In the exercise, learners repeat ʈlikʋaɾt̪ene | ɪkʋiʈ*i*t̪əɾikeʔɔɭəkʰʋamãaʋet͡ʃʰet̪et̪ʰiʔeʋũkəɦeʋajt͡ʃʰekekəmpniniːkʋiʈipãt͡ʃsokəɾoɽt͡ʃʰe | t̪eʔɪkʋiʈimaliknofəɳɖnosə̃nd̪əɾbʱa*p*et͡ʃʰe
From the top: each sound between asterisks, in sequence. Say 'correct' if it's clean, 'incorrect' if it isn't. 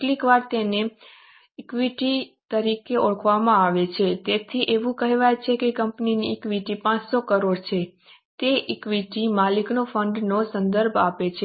correct, correct

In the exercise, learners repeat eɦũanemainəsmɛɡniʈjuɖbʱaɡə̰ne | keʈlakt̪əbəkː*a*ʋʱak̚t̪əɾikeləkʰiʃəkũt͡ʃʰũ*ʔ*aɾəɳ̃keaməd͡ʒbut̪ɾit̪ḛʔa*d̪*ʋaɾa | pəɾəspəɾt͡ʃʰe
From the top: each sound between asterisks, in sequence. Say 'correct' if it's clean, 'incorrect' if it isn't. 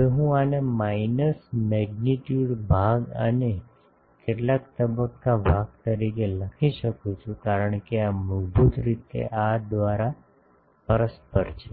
correct, incorrect: k, correct

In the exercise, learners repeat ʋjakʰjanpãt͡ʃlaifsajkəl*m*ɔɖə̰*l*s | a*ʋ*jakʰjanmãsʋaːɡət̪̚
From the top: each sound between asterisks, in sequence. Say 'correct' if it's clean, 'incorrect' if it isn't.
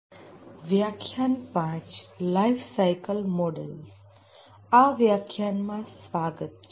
correct, correct, correct

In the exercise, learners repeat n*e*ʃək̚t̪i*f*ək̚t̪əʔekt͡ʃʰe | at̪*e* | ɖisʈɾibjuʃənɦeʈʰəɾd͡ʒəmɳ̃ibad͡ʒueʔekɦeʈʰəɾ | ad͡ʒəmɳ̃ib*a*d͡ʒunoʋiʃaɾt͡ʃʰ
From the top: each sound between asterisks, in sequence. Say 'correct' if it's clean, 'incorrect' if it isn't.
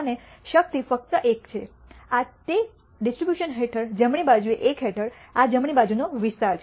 correct, correct, correct, correct

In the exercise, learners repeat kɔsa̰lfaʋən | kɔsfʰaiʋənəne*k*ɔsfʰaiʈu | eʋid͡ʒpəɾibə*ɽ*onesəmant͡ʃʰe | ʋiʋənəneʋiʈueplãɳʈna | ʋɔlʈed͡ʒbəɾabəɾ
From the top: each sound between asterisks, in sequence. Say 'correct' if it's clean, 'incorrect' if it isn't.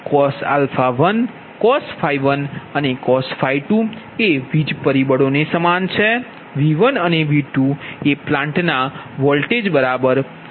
correct, correct

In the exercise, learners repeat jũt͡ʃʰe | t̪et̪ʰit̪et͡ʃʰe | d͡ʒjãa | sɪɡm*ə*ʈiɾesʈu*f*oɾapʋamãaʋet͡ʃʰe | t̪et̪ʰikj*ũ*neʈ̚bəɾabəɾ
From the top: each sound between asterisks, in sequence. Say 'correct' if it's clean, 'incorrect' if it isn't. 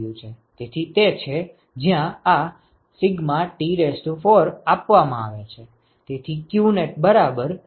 incorrect: a, correct, incorrect: u

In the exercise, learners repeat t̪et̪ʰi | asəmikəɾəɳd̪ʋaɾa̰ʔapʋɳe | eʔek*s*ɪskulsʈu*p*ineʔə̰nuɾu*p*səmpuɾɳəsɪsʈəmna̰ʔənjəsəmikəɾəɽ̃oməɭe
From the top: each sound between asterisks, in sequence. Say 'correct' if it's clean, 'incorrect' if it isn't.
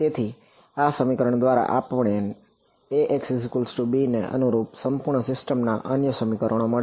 correct, incorrect: b, correct

